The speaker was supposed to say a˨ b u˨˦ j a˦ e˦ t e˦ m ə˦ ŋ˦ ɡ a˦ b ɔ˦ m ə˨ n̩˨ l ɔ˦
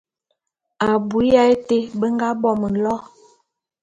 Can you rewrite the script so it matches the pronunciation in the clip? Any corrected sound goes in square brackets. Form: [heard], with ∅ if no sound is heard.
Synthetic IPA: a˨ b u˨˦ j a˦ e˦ t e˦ [b] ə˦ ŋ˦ ɡ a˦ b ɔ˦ m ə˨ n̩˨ l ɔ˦